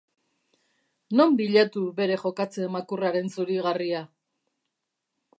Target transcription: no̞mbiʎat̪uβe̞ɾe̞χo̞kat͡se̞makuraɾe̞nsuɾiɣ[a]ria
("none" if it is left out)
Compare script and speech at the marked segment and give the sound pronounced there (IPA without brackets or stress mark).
a